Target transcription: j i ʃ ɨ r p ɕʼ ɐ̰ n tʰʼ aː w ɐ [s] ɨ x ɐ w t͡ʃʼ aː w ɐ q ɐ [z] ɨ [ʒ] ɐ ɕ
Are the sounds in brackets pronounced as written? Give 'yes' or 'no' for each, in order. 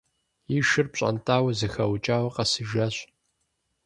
no, no, yes

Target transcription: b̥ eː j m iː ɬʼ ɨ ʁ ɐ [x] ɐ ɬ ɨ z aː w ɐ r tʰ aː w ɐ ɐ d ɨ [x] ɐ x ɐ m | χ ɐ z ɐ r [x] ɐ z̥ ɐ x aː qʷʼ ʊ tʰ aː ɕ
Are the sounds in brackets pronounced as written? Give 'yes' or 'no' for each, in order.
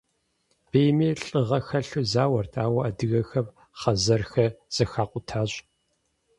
yes, no, yes

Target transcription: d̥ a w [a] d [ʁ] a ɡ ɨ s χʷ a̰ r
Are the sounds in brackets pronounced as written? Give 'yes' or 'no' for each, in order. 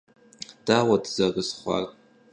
yes, no

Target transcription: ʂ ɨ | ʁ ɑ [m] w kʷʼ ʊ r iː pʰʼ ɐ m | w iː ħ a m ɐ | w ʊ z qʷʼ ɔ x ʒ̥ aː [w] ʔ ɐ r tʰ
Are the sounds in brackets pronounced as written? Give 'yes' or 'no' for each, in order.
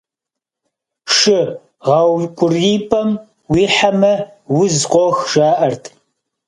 no, no

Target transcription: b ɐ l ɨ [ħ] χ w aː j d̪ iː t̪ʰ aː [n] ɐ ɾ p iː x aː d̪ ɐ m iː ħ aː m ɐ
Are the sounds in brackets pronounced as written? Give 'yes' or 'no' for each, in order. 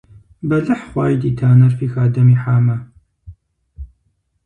yes, yes

